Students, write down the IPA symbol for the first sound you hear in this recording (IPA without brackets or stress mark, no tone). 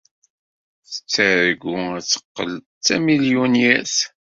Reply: θ